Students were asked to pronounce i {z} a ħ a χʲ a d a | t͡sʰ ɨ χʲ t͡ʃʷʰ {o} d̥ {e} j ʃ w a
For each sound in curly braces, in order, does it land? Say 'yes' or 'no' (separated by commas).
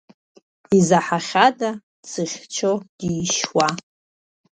yes, yes, no